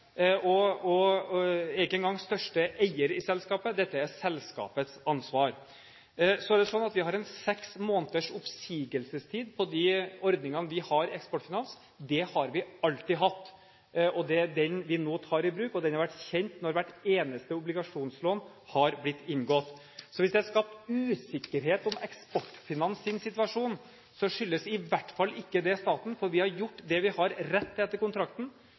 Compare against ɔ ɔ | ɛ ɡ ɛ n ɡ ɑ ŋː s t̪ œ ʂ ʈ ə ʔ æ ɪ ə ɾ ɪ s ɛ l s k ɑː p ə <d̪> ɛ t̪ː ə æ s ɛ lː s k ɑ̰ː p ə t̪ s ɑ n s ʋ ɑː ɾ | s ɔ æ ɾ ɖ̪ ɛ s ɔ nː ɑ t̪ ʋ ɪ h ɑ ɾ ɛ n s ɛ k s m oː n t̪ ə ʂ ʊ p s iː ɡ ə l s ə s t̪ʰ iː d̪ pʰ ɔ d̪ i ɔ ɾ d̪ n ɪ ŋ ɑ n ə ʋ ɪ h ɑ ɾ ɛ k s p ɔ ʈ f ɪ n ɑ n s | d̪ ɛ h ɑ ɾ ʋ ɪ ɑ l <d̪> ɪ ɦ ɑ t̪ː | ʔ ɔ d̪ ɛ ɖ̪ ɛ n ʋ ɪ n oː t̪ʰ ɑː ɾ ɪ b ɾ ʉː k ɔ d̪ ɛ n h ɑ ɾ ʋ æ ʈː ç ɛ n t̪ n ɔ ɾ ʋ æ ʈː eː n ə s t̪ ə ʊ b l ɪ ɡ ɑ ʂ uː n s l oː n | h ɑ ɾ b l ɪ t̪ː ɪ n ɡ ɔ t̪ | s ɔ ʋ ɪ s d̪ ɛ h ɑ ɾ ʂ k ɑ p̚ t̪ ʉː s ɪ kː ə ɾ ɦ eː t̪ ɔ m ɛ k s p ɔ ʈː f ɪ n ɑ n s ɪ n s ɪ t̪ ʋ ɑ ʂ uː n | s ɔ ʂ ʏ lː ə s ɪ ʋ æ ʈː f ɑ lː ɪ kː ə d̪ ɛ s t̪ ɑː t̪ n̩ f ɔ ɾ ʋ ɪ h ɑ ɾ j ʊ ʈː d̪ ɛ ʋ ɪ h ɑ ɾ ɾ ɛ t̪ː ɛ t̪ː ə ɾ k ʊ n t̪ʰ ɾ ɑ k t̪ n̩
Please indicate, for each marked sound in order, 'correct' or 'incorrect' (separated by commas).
correct, incorrect